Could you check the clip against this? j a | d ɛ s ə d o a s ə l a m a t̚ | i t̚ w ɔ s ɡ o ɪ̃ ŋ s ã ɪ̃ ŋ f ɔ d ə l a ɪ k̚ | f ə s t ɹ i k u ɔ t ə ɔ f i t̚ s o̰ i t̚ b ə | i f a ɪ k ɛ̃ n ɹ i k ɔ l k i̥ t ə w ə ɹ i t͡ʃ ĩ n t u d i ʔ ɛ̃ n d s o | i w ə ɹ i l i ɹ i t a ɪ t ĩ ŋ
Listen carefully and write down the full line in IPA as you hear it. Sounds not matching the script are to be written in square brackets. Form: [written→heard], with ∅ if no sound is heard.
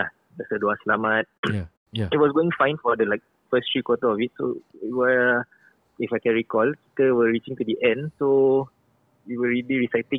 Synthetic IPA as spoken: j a | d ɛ s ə d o a s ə l a m a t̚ | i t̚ w ɔ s ɡ o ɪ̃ ŋ [s→f] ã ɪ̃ [ŋ→n] f ɔ d ə l a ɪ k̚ | f ə s t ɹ i k [u→w] ɔ t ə ɔ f i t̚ s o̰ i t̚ [b→w] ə | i f a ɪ k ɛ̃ n ɹ i k ɔ l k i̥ t ə w ə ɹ i t͡ʃ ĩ [n→ŋ] t u d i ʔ ɛ̃ n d s o | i w ə ɹ i l i ɹ i [t→s] a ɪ t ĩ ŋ